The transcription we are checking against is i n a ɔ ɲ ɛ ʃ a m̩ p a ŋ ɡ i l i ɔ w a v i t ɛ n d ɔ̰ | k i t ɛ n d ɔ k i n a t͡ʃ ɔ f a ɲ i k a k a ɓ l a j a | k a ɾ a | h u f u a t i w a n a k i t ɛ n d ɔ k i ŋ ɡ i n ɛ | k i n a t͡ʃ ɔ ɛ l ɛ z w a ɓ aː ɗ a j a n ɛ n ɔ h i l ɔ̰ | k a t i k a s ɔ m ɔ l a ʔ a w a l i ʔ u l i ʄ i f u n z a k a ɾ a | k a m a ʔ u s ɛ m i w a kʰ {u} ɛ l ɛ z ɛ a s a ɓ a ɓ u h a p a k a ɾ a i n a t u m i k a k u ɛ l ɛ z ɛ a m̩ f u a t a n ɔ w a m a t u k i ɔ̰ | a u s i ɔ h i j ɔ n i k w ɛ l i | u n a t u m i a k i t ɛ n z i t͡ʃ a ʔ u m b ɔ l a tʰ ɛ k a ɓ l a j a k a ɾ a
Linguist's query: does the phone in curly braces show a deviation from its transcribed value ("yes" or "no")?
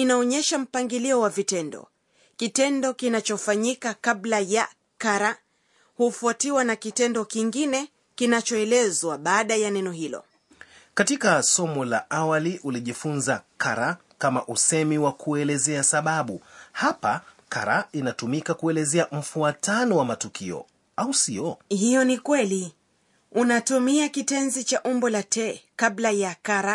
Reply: no